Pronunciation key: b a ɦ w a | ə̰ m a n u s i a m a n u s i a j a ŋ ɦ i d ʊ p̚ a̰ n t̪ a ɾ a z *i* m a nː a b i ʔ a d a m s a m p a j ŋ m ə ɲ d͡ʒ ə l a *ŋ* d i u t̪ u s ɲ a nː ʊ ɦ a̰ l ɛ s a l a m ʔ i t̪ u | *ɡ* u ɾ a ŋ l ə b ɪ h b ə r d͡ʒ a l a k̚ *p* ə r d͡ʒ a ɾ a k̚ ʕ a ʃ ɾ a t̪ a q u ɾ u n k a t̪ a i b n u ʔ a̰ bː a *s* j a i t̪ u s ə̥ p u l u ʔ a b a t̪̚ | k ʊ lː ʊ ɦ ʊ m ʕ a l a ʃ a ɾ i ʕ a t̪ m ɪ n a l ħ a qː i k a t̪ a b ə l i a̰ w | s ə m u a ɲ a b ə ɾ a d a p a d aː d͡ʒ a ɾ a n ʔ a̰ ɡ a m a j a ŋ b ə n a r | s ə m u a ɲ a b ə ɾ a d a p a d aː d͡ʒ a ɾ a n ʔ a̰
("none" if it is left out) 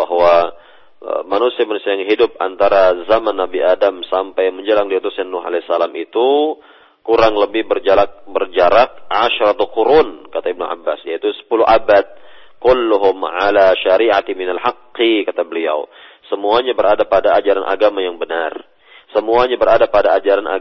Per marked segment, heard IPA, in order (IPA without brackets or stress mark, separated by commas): a, ŋ, k, b, s